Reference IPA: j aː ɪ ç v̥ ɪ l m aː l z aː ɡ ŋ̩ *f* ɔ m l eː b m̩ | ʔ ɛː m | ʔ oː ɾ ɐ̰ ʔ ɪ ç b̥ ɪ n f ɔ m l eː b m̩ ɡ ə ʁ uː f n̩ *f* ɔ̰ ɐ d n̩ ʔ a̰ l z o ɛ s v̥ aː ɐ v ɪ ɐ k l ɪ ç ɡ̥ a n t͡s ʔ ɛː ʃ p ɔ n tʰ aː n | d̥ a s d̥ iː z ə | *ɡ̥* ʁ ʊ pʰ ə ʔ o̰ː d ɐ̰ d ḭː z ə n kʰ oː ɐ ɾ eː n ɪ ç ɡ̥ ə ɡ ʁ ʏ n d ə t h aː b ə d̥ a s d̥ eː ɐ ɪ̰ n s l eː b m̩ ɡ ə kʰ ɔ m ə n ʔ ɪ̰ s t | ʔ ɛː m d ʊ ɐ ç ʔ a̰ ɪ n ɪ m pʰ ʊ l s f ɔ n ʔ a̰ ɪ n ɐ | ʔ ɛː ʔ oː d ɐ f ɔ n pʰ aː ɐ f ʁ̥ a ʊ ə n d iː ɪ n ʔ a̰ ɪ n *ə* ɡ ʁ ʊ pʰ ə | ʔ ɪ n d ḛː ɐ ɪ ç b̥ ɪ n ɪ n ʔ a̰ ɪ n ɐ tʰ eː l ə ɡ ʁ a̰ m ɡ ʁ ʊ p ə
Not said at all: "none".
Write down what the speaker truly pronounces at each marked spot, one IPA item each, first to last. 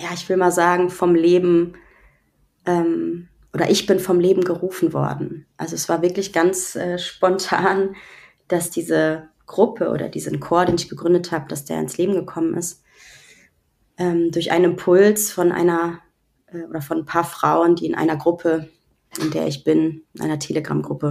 f, v, ɡ̥, ɐ

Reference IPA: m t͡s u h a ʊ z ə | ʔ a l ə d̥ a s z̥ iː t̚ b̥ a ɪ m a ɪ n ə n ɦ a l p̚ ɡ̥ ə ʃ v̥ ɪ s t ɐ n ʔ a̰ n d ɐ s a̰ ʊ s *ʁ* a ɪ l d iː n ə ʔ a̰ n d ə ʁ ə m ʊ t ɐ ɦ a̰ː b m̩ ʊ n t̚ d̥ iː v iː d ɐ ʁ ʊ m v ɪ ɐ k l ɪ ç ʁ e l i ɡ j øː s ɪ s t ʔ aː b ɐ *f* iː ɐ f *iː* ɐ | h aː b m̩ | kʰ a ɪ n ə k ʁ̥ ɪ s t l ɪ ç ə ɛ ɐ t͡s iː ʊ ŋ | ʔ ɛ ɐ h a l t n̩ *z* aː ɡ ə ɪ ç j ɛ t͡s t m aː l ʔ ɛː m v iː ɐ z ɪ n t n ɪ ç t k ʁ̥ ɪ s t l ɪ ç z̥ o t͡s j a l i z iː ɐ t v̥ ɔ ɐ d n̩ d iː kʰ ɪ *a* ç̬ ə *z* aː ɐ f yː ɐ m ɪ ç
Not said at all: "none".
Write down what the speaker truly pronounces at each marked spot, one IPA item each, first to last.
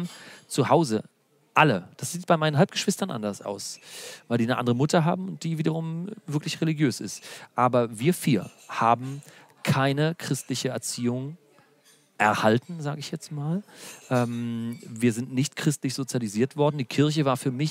v, v, iː, z, ɐ, v

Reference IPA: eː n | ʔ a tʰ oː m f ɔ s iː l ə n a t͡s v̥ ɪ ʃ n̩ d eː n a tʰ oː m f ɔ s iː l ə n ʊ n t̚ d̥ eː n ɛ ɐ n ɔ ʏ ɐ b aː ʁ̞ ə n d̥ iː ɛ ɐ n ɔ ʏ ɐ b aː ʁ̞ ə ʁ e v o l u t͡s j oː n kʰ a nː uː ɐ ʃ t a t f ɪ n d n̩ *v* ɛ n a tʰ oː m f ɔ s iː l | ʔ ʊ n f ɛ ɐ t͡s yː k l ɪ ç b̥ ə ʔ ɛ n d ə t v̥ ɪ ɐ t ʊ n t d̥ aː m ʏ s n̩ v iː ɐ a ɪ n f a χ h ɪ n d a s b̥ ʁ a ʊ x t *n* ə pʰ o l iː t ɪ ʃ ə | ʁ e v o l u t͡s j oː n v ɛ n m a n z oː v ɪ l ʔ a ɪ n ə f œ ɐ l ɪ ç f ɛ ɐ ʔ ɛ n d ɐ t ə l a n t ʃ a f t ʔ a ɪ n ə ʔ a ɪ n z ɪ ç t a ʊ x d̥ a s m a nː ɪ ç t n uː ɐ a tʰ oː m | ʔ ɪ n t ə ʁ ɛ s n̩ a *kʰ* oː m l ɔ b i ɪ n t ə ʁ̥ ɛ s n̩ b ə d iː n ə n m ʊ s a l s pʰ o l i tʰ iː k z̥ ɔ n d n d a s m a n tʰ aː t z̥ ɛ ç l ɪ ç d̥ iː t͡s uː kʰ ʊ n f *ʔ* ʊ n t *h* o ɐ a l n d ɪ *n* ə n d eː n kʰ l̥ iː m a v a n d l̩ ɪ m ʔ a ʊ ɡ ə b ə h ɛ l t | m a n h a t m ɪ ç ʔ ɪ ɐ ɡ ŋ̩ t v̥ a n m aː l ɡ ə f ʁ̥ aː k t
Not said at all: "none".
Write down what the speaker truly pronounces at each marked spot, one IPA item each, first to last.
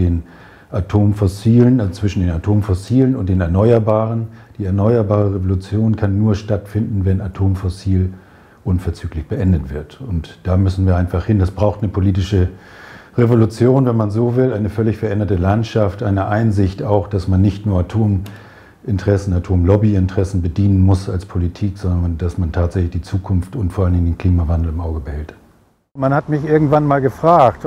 v, n, tʰ, t, f, ŋ

